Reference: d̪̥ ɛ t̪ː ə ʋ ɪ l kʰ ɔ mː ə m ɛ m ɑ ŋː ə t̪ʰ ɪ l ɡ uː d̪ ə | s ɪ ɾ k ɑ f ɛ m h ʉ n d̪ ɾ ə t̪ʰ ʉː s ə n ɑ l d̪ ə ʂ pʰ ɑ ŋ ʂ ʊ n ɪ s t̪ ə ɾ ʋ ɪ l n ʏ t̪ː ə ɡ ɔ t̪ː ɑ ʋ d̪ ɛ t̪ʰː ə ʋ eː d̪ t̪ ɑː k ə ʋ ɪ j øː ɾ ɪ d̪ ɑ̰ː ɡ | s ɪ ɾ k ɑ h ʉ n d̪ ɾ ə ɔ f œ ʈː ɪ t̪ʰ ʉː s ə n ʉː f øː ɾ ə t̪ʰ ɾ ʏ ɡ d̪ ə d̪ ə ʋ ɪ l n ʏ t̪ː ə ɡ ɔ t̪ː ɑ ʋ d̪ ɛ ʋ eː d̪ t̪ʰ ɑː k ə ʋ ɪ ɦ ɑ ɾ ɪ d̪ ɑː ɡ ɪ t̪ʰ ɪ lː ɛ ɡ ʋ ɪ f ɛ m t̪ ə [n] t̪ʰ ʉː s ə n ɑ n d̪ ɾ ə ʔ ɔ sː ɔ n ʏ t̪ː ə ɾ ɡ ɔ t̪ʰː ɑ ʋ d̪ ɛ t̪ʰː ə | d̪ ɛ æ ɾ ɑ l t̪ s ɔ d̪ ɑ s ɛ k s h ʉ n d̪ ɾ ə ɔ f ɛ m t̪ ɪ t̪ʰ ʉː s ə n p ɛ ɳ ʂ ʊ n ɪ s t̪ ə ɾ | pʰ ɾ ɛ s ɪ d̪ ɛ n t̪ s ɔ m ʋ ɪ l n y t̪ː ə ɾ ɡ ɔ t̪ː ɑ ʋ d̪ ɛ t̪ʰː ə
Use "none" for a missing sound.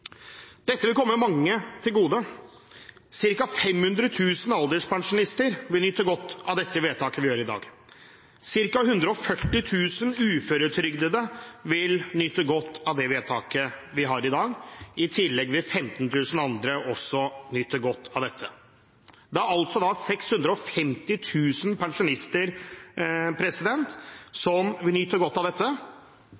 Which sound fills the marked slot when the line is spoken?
n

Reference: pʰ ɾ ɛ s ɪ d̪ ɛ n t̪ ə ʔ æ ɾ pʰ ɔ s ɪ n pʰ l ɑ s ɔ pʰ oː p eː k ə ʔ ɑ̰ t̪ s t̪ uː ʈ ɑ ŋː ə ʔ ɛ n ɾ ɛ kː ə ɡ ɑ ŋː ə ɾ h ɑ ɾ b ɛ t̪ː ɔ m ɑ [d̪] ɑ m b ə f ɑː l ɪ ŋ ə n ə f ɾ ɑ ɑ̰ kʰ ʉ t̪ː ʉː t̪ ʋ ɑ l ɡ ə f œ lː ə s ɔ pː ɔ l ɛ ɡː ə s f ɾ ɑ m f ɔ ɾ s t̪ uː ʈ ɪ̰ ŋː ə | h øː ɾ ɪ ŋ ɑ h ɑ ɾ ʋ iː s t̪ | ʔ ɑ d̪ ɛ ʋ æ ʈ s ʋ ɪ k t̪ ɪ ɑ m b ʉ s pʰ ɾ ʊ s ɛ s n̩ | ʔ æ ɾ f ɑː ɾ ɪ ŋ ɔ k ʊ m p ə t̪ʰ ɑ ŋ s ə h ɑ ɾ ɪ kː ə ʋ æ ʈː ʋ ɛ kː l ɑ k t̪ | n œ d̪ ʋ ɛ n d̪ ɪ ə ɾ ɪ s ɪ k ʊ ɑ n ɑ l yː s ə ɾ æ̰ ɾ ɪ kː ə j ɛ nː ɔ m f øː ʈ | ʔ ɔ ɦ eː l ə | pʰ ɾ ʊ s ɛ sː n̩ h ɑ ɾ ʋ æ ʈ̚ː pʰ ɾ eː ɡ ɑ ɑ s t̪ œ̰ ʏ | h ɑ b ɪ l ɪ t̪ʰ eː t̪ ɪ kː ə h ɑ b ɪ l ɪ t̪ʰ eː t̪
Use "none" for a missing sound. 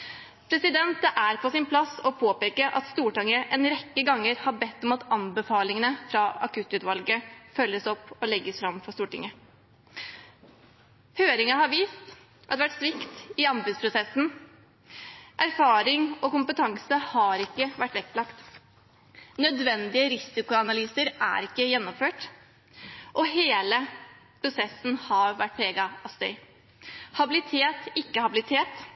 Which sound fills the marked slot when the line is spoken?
t̪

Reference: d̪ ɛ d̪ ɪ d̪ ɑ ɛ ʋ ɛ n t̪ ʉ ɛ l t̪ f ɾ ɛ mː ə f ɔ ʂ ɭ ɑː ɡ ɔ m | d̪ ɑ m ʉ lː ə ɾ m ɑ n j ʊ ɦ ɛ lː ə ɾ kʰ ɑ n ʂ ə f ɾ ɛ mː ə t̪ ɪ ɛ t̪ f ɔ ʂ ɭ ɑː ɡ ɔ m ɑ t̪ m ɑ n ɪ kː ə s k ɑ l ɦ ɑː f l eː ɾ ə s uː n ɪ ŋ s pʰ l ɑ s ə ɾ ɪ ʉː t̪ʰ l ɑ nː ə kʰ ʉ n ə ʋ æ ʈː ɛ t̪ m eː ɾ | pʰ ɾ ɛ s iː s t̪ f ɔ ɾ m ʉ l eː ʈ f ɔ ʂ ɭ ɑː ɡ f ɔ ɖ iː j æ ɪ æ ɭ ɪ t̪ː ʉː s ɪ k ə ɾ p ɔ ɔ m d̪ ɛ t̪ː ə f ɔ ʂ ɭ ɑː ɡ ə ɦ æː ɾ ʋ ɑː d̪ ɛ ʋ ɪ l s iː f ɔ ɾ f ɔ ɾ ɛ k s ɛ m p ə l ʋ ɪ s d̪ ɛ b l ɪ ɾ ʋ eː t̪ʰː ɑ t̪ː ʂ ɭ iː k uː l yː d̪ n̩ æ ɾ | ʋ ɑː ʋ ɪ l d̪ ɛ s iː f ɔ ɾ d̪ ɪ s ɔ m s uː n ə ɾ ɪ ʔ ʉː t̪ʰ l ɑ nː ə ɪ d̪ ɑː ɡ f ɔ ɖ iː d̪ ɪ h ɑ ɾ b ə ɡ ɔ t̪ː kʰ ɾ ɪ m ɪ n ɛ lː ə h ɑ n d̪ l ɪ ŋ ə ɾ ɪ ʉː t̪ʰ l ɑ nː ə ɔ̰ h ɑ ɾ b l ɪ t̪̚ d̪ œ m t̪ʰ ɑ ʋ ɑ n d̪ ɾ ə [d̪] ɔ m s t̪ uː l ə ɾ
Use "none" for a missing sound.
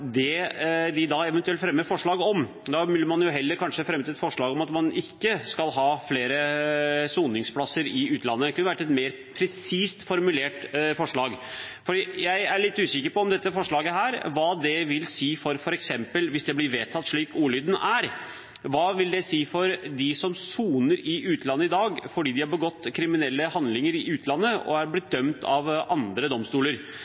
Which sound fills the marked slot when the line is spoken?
d̪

